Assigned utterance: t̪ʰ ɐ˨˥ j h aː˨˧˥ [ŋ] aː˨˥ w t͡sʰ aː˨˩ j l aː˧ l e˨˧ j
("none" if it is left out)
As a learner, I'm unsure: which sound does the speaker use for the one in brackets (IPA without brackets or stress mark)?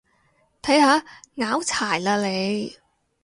ŋ